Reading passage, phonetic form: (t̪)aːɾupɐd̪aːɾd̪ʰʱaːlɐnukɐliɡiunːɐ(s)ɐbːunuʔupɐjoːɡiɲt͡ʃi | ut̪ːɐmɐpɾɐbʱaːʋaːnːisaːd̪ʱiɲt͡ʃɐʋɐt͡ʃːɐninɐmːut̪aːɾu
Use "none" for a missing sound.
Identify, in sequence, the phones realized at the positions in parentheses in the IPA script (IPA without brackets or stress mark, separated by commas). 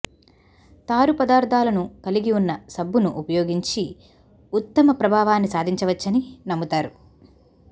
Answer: t̪, s